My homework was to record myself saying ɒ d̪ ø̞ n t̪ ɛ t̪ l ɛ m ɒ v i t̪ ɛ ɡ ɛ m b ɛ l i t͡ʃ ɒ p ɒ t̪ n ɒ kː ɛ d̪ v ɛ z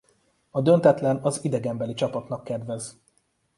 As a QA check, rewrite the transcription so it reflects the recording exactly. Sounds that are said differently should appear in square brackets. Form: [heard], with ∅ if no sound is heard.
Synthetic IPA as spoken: ɒ d̪ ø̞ n t̪ ɛ t̪ l ɛ [n] ɒ [z] i [d̪] ɛ ɡ ɛ m b ɛ l i t͡ʃ ɒ p ɒ t̪ n ɒ kː ɛ d̪ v ɛ z